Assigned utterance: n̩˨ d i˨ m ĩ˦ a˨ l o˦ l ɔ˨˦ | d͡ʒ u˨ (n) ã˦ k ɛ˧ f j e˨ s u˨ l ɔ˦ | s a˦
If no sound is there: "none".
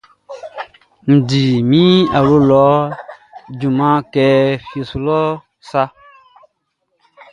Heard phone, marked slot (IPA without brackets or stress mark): m